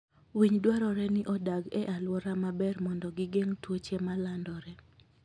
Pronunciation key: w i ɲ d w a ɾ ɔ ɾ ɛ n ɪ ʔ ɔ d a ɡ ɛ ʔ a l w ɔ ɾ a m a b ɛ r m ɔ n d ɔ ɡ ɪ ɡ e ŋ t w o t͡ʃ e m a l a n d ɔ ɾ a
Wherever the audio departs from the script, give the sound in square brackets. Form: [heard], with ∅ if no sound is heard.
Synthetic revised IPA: w i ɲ d w a ɾ ɔ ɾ ɛ n ɪ ʔ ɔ d a ɡ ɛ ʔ a l w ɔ ɾ a m a b ɛ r m ɔ n d ɔ ɡ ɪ ɡ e ŋ t w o t͡ʃ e m a l a n d ɔ ɾ [ɛ]